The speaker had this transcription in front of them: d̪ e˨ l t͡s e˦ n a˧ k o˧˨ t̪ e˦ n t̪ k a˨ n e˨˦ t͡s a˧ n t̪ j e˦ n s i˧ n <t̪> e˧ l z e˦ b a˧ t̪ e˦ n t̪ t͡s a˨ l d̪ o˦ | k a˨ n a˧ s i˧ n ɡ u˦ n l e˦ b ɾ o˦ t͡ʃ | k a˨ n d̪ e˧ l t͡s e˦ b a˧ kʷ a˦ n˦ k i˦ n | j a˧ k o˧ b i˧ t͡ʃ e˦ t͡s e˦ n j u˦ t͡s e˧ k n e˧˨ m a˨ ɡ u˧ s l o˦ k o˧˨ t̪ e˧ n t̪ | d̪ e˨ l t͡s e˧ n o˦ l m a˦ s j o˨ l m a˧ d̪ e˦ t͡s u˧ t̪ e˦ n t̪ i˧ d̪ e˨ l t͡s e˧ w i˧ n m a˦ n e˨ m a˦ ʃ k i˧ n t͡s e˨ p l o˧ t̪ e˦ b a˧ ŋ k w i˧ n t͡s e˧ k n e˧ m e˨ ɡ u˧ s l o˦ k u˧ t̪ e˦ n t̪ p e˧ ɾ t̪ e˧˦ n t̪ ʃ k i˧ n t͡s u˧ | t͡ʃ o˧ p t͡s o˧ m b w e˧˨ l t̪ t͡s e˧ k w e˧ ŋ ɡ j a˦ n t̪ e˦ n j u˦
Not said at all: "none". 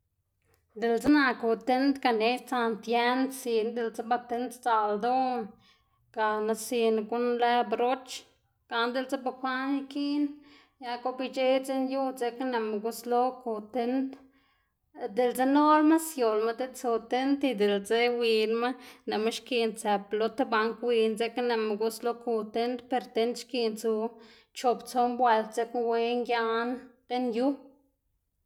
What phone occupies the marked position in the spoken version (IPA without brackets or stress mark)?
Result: d̪